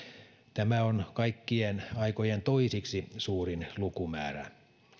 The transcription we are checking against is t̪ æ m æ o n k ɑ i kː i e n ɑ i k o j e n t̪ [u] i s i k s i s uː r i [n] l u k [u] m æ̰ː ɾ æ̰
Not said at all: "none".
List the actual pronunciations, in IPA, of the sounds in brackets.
o, n, u

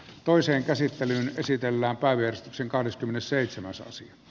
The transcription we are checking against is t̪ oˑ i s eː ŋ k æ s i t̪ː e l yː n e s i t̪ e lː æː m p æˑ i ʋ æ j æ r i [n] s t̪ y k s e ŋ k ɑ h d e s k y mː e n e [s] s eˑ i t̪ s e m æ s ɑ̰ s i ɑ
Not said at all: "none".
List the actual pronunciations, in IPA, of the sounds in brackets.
none, s

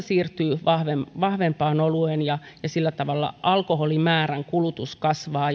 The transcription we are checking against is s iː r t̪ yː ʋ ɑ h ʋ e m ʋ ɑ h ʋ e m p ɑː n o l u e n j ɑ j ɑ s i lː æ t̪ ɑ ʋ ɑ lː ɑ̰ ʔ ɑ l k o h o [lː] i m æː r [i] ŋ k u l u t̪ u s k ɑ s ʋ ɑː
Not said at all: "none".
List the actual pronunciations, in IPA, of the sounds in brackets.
l, æ

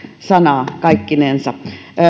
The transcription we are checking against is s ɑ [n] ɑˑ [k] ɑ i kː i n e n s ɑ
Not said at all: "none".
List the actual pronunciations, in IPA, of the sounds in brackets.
n, k

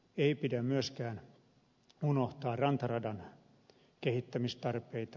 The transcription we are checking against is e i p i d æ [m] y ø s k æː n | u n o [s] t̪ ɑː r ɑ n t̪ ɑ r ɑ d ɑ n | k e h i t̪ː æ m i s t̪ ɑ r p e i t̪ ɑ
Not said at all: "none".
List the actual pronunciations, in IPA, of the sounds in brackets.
m, h

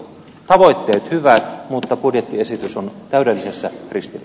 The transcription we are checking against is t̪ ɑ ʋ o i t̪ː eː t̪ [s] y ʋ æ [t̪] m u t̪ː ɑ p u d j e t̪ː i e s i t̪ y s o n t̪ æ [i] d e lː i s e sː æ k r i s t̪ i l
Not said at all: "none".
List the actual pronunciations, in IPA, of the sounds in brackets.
h, t̪, y

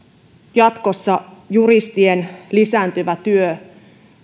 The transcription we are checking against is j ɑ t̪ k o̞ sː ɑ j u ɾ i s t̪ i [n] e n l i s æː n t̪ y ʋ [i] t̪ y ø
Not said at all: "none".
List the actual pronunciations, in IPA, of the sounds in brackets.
none, æ

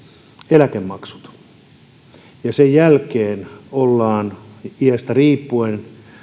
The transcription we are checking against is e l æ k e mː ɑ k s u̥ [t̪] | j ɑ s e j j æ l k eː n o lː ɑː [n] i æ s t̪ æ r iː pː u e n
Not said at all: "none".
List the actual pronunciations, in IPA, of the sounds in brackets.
t̪, n

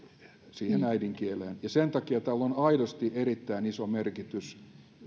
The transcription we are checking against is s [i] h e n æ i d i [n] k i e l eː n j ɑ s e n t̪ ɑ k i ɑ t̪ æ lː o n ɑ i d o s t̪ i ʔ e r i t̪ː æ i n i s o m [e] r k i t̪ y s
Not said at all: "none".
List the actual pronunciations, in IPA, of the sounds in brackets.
iː, ŋ, e

